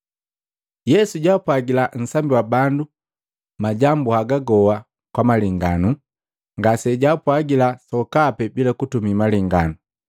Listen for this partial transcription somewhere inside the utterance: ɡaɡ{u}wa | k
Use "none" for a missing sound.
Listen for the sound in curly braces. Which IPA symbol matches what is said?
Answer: ɔ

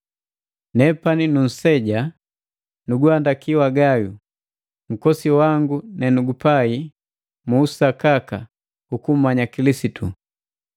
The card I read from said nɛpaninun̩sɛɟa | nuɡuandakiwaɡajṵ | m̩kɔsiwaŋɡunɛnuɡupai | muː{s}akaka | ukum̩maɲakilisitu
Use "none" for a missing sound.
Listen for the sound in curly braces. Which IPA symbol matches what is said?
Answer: s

